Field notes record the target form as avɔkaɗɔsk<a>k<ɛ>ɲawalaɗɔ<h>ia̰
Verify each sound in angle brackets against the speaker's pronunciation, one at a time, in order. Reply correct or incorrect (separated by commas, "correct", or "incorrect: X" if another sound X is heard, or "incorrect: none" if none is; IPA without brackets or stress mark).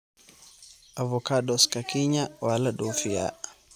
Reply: correct, incorrect: i, incorrect: f